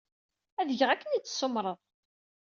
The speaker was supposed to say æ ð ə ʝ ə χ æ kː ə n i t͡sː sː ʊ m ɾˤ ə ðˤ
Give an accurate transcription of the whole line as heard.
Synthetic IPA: æ ð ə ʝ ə ʁ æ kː ə n i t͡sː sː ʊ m ɾˤ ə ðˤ